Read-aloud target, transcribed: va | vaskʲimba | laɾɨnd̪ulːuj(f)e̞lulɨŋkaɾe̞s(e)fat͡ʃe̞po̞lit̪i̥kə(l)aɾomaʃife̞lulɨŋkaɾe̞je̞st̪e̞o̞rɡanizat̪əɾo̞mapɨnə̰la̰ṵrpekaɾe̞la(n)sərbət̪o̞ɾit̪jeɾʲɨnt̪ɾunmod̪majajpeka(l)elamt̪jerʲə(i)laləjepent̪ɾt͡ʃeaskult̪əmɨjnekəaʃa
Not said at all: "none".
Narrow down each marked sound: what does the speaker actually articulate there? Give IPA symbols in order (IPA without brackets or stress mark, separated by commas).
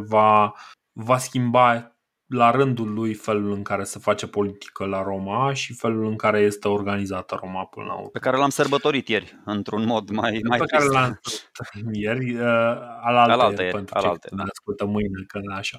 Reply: f, e, l, m, ɾ, a